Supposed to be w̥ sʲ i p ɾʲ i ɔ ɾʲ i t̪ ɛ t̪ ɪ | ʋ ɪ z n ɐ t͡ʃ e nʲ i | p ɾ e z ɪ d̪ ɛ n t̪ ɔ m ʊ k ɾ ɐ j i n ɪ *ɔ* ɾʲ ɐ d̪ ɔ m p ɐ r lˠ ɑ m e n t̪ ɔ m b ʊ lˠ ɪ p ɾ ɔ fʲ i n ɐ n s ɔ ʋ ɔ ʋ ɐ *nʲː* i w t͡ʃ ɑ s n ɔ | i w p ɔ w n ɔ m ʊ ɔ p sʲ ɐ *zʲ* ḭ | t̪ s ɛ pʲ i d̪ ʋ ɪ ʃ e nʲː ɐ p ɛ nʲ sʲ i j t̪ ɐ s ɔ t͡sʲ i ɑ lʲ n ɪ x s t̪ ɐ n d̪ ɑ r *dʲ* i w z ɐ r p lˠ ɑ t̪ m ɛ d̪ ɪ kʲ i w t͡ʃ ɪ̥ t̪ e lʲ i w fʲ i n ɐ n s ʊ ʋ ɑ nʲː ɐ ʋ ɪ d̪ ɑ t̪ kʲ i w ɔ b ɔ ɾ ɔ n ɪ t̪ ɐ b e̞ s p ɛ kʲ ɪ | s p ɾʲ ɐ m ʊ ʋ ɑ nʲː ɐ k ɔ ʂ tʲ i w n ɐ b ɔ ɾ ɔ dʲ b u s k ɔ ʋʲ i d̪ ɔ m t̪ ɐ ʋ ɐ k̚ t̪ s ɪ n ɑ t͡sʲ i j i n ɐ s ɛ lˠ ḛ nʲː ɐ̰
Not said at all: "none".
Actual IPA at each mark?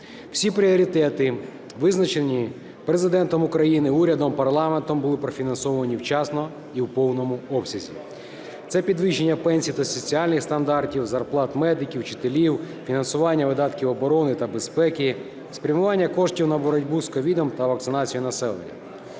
u, nʲ, zʲ, tʲ

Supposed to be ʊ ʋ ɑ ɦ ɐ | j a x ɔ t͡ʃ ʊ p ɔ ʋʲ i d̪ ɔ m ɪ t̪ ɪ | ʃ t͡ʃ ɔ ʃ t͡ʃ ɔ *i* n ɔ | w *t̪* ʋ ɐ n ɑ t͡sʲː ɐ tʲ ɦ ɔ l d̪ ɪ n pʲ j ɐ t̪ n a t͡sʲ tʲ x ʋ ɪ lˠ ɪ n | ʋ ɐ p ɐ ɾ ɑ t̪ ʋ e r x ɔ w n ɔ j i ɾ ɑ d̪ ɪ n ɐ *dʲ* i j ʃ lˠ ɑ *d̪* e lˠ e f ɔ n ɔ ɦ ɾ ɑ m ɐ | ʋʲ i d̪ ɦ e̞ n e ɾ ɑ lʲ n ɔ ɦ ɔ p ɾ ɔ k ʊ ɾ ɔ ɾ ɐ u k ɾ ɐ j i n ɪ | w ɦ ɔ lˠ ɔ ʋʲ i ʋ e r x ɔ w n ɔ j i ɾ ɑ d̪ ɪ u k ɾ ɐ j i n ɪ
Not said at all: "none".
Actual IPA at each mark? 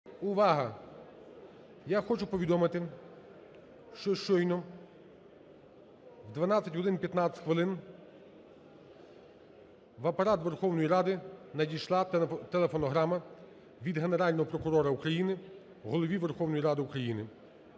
j, d̪, dʲ, t̪

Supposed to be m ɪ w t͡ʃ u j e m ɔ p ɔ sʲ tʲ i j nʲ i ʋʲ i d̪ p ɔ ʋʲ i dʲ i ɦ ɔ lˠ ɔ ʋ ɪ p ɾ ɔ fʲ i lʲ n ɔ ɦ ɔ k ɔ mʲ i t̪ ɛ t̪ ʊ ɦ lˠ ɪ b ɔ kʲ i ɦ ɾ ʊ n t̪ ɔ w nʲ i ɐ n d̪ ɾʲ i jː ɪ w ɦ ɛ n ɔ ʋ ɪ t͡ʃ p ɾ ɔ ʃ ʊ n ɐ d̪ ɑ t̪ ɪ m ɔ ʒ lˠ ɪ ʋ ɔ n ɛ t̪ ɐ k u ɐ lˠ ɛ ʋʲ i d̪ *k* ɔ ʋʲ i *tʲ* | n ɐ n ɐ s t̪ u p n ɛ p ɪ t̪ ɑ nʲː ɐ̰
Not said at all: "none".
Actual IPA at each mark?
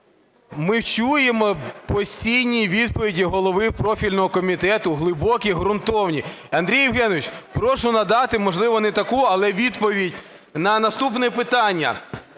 p, dʲ

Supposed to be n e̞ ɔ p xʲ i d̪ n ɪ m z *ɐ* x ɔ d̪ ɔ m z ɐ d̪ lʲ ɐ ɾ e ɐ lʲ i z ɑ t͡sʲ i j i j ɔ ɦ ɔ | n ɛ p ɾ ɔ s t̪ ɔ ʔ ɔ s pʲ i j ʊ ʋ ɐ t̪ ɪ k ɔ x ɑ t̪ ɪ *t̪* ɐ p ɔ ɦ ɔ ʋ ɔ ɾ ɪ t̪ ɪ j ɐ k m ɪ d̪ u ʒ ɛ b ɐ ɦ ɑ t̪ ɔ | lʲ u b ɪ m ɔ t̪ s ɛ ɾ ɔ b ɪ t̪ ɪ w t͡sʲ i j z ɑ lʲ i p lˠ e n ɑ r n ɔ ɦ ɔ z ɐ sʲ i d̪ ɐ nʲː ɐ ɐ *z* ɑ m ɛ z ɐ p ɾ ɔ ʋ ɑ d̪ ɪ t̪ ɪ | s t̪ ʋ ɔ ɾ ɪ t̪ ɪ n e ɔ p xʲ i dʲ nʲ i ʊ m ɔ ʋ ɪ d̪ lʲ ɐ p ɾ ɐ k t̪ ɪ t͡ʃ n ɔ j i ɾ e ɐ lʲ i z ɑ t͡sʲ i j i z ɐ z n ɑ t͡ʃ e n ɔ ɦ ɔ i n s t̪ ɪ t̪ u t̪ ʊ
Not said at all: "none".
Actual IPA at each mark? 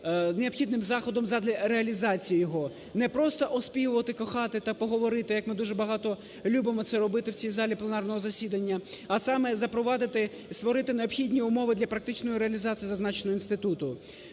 ɑ, t̪, s

